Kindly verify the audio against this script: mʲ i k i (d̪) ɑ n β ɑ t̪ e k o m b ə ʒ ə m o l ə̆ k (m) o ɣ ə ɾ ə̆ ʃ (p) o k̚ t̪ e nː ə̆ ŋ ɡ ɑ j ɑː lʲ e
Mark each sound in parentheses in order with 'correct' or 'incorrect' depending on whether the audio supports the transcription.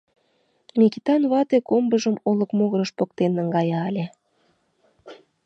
incorrect: t̪, correct, correct

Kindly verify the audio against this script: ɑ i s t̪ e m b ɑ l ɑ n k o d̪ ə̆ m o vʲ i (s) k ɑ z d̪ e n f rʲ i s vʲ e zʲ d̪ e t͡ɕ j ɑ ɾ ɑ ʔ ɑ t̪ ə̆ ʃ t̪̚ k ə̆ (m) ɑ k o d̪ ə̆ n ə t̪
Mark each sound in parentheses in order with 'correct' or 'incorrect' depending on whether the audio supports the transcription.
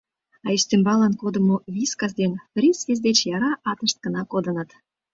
correct, incorrect: n

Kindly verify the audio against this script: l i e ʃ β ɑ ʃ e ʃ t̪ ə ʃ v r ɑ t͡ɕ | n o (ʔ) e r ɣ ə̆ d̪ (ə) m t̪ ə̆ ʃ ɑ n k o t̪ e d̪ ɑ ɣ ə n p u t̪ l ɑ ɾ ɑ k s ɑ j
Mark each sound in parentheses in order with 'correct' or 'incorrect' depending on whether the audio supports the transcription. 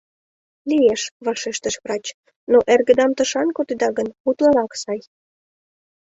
correct, incorrect: ɑ

